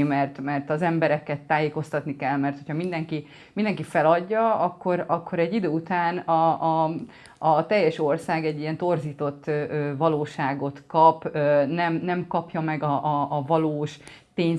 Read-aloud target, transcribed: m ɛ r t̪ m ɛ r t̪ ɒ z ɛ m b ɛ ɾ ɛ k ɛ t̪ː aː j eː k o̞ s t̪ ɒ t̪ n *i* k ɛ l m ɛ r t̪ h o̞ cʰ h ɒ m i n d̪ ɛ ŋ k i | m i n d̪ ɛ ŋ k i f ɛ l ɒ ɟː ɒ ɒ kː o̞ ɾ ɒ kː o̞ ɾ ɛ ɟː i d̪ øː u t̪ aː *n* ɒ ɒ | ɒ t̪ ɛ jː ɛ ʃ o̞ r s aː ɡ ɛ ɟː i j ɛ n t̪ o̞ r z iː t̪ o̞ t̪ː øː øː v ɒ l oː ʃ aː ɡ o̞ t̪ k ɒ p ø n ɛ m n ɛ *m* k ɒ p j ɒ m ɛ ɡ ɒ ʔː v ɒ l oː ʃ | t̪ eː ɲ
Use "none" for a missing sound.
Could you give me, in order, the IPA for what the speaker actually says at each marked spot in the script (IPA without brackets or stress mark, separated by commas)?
i, n, m